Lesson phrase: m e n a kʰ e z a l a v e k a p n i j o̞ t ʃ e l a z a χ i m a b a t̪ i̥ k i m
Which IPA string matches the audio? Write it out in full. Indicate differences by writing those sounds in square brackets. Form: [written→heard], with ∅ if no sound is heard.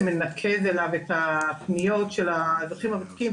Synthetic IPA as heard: m e n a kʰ e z [a→e] l a v e [k→t] a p n i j o̞ t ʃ e l a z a χ i m a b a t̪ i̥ k i m